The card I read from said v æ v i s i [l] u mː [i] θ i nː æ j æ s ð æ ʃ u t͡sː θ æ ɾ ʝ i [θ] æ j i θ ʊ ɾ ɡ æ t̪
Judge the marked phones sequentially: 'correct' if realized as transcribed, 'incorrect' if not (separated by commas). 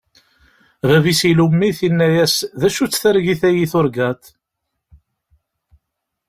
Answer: correct, correct, correct